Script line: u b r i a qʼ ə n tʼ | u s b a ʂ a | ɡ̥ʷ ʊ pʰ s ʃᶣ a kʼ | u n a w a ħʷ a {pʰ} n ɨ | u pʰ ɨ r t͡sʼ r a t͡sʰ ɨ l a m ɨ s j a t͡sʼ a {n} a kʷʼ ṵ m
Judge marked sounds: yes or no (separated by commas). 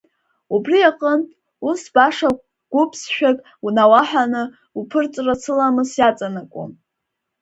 no, yes